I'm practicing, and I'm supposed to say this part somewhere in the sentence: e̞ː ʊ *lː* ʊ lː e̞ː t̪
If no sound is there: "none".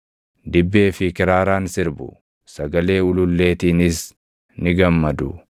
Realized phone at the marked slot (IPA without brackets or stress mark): l